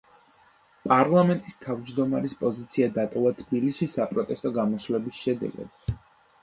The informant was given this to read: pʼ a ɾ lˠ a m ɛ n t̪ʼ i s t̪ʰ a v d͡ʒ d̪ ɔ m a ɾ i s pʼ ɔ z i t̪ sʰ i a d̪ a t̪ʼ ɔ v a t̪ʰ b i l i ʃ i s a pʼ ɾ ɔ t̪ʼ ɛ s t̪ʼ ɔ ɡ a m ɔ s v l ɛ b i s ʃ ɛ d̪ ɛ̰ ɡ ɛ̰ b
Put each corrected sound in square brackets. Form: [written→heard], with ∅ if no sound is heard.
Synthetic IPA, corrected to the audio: pʼ a ɾ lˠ a m ɛ n t̪ʼ i s t̪ʰ a v d͡ʒ d̪ ɔ m a ɾ i s pʼ ɔ z i t̪ sʰ i a d̪ a t̪ʼ ɔ v a t̪ʰ b i l i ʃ i s a pʼ ɾ ɔ t̪ʼ ɛ s t̪ʼ ɔ ɡ a m ɔ s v l ɛ b i s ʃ ɛ d̪ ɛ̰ ɡ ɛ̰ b